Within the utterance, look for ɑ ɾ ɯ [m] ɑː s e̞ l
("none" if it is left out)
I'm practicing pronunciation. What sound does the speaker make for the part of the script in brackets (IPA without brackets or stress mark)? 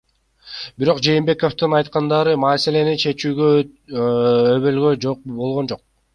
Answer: m